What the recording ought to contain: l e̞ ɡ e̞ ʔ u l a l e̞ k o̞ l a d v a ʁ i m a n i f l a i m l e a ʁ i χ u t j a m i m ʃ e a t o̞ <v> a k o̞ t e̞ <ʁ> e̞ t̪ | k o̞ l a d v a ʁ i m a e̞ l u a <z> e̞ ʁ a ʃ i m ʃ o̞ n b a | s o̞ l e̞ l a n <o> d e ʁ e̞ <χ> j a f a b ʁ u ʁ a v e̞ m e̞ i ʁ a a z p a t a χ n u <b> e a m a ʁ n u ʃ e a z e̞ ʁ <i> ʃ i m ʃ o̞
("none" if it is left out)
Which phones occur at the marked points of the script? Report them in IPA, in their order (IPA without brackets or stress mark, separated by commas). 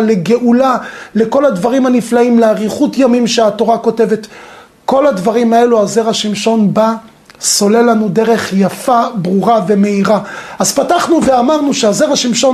ʁ, v, z, u, χ, v, a